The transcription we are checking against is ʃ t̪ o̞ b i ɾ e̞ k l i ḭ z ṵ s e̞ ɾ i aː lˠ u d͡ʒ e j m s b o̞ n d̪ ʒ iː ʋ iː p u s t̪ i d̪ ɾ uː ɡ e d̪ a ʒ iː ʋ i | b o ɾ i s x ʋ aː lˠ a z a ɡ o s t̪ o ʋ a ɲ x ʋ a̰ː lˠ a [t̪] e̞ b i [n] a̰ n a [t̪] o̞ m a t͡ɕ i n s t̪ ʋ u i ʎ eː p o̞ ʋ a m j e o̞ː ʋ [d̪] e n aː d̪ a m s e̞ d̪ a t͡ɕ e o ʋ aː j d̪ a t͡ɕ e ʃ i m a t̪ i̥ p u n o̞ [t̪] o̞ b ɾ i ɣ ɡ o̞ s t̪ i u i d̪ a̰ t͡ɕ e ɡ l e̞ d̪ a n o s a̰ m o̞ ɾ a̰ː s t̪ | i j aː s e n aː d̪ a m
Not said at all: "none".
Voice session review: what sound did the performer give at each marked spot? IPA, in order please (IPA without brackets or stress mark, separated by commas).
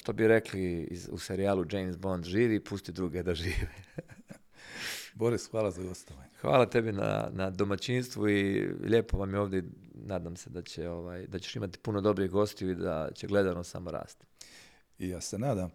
t̪, n, d̪, d̪, d̪